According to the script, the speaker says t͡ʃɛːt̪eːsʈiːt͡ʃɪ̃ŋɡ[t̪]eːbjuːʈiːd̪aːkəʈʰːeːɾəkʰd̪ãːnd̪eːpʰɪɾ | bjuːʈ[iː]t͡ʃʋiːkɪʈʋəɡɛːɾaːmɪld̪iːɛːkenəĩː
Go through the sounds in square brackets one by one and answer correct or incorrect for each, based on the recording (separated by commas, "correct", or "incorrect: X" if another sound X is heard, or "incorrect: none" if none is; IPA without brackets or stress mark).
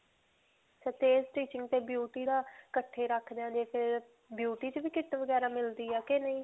correct, correct